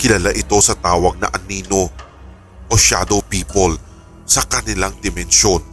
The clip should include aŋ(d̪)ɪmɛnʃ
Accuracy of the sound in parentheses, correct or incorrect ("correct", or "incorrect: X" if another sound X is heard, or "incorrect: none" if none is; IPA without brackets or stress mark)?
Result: correct